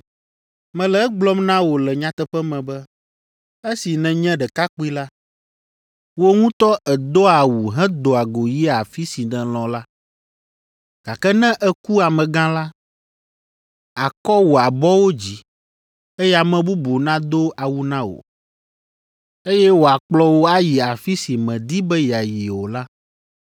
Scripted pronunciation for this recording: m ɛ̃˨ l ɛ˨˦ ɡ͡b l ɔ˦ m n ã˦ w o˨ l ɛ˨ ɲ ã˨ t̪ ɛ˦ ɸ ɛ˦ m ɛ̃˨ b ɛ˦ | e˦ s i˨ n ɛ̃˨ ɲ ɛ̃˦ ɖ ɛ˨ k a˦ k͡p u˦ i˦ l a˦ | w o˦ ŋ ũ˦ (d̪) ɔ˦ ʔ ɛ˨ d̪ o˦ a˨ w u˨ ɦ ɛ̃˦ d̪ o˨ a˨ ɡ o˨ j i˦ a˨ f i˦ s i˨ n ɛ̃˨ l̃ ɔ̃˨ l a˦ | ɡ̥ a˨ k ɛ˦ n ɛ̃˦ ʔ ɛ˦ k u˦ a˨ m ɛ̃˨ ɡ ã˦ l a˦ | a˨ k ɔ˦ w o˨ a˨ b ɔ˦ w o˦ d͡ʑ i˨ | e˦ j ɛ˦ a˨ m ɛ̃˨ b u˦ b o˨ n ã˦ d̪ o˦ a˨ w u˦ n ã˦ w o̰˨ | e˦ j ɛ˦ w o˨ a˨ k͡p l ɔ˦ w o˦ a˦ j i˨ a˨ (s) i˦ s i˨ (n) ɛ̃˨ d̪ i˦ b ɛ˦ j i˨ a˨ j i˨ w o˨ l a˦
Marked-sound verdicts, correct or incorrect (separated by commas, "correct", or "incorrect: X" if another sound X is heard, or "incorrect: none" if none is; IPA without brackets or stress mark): incorrect: t̪, incorrect: f, incorrect: m